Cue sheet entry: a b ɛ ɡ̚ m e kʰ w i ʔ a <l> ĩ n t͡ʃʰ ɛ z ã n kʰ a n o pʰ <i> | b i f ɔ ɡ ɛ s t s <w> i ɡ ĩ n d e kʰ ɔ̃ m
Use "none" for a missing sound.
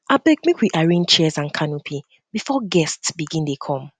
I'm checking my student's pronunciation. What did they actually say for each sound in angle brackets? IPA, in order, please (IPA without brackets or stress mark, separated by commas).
ɹ, i, b